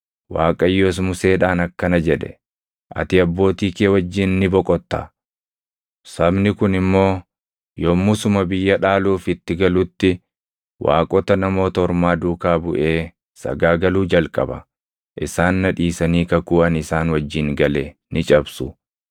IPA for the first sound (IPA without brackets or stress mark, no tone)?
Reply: w